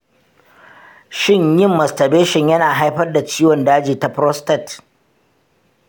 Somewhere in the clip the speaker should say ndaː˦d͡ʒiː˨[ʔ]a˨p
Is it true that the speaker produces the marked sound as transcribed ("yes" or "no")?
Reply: no